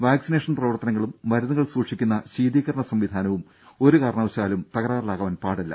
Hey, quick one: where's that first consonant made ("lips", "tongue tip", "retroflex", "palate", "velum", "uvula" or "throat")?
lips